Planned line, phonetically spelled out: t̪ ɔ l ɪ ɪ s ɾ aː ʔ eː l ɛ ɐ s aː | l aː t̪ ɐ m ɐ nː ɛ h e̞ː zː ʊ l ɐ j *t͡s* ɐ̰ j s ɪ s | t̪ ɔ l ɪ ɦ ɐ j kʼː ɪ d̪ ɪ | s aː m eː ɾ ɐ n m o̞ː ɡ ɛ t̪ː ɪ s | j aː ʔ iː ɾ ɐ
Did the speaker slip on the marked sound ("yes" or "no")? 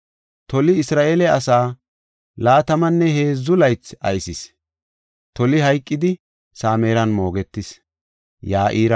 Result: no